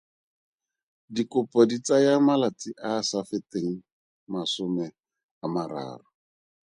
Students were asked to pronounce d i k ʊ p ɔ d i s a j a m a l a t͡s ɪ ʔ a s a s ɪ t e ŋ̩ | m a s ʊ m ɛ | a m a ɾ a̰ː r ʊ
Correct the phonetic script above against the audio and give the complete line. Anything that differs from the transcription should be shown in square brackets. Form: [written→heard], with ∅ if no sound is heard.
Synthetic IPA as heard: d i k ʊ p ɔ d i [s→t͡s] a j a m a l a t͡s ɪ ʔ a s a [s→f] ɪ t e ŋ̩ | m a s ʊ m ɛ | a m a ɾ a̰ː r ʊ